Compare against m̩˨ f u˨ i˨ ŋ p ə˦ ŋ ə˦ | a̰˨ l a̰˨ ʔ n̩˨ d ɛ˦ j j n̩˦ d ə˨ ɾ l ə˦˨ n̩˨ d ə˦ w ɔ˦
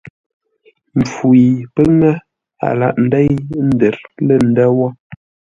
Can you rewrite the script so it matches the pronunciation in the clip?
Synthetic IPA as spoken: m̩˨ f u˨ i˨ p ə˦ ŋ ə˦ | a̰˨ l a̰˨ ʔ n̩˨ d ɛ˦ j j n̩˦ d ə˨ ɾ l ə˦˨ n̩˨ d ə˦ w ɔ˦